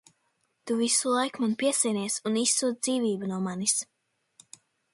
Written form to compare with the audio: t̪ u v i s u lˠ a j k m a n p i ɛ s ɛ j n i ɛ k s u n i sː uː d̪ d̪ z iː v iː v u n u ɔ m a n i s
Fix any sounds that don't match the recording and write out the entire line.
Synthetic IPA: t̪ u v i s u lˠ a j k m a n p i ɛ s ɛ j n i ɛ s u n i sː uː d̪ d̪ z iː v iː b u n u ɔ m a n i s